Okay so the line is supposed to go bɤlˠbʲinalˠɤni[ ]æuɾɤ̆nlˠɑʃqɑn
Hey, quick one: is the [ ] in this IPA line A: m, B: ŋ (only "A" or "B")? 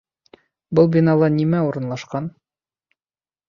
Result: A